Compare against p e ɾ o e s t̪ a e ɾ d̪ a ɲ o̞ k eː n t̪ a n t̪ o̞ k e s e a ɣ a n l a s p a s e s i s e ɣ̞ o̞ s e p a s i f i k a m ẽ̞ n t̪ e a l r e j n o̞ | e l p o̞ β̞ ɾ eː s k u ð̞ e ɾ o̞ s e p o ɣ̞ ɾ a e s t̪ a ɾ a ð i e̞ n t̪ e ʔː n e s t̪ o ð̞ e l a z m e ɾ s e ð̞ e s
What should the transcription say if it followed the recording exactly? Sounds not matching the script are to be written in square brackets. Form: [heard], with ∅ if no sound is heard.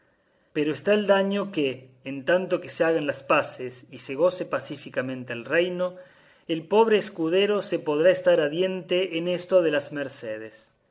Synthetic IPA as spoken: p e ɾ o e s t̪ a e [l] d̪ a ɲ o̞ k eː n t̪ a n t̪ o̞ k e s e a ɣ a n l a s p a s e s i s e ɣ̞ o̞ s e p a s i f i k a m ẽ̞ n t̪ e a l r e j n o̞ | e l p o̞ β̞ ɾ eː s k u ð̞ e ɾ o̞ s e p o [ð̞] ɾ a e s t̪ a ɾ a ð [j] e̞ n t̪ e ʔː n e s t̪ o ð̞ e l a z m e ɾ s e ð̞ e s